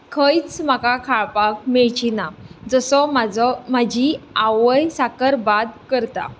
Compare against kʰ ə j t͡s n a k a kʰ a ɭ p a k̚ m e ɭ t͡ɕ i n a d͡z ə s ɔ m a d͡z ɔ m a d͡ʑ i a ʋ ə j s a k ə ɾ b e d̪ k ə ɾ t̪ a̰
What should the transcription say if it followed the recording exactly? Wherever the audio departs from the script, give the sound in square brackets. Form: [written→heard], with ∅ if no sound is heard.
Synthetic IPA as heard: kʰ ə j t͡s [n→m] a k a kʰ a ɭ p a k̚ m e ɭ t͡ɕ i n a d͡z ə s ɔ m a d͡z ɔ m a d͡ʑ i a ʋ ə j s a k ə ɾ b [e→a] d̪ k ə ɾ t̪ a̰